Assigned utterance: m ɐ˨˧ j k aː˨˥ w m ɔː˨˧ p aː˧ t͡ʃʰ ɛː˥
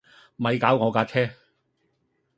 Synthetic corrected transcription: m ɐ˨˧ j k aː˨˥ w ŋ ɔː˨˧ k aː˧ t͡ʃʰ ɛː˥

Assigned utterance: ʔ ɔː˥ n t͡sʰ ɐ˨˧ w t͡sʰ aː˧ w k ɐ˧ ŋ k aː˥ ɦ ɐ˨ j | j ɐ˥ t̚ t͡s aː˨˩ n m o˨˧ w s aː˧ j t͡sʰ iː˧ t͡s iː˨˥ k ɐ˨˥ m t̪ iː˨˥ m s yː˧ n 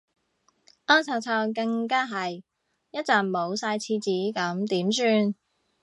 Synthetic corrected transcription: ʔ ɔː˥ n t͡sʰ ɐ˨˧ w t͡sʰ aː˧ w k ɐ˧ ŋ k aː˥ ɦ ɐ˨ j | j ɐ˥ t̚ t͡s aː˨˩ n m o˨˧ w s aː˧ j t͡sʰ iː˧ t͡s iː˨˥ k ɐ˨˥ m t̪ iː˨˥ m s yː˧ n

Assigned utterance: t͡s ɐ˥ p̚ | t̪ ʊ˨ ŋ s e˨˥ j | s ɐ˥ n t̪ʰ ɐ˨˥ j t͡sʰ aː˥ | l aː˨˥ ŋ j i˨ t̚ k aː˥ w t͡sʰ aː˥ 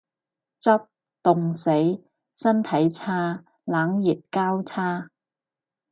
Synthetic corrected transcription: t͡s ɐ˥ p̚ | t̪ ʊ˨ ŋ s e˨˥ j | s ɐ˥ n t̪ʰ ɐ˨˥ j t͡sʰ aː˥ | l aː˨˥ ŋ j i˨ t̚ k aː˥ w t͡sʰ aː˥

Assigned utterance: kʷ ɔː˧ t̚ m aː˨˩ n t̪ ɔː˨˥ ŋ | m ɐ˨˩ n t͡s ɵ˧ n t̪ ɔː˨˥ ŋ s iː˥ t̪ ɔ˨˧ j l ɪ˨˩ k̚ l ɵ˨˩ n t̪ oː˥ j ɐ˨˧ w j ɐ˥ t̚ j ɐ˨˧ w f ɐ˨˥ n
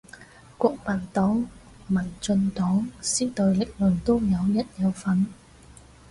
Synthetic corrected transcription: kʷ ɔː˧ k̚ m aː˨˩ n t̪ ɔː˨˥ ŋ | m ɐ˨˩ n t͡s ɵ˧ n t̪ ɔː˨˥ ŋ s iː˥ t̪ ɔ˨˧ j l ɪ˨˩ k̚ l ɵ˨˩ n t̪ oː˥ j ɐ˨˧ w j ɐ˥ t̚ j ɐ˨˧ w f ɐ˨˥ n

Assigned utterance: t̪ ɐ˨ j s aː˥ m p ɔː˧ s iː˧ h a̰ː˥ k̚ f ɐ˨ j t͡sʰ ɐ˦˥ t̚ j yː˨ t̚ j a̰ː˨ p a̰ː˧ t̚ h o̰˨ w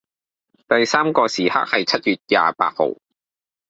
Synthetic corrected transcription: t̪ ɐ˨ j s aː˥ m k ɔː˧ s iː˨˩ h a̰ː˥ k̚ h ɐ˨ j t͡sʰ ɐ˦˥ t̚ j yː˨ t̚ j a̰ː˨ p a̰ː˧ t̚ h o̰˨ w

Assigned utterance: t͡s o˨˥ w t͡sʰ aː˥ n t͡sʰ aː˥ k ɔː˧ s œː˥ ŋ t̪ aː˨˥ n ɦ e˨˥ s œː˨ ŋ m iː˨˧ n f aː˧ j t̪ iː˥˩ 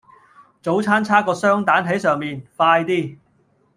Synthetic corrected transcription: t͡s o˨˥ w t͡sʰ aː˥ n t͡sʰ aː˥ k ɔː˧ s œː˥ ŋ t̪ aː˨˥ n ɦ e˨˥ s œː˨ ŋ m iː˨˧ n f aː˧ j t̪ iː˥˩

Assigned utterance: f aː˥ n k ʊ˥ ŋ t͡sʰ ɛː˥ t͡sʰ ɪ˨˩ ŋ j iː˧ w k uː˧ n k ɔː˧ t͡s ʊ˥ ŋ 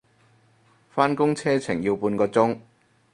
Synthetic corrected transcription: f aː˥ n k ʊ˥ ŋ t͡sʰ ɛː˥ t͡sʰ ɪ˨˩ ŋ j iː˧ w p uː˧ n k ɔː˧ t͡s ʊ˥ ŋ

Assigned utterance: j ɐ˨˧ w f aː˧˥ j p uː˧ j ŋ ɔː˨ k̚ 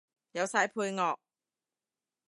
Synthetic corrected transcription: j ɐ˨˧ w s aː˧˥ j pʰ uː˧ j ŋ ɔː˨ k̚

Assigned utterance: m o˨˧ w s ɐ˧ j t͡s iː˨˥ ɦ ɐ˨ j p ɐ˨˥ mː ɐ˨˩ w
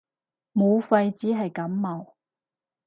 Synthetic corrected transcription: m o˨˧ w f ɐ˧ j t͡s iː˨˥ ɦ ɐ˨ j k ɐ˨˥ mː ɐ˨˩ w

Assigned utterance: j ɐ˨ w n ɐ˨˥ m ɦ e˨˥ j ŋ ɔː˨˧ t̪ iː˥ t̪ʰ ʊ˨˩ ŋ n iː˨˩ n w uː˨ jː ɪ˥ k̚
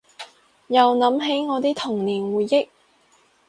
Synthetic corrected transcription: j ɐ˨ w n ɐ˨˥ m ɦ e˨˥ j ŋ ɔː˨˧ t̪ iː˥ t̪ʰ ʊ˨˩ ŋ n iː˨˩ n w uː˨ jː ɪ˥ k̚

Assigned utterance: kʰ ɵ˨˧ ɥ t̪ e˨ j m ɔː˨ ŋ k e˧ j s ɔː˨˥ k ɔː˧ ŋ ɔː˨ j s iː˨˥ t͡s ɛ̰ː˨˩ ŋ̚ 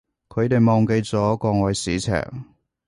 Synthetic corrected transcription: kʰ ɵ˨˧ ɥ t̪ e˨ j m ɔː˨ ŋ k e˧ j t͡s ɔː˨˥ k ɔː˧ ŋ ɔː˨ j s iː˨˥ t͡sʰ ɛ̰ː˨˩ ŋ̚

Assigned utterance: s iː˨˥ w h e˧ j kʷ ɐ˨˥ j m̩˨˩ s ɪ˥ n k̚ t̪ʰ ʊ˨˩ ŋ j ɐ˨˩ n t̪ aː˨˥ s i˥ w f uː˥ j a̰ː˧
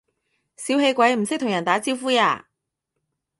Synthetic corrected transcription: s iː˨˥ w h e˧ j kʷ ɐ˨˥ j m̩˨˩ s ɪ˥ k̚ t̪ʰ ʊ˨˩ ŋ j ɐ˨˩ n t̪ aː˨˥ t͡s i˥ w f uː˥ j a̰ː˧

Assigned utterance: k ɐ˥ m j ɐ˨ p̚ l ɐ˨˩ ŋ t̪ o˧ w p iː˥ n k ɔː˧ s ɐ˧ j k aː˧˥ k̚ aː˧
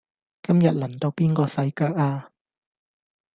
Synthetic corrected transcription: k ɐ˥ m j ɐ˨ t̚ l ɐ˨˩ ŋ t̪ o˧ w p iː˥ n k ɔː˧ s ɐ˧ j k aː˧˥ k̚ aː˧

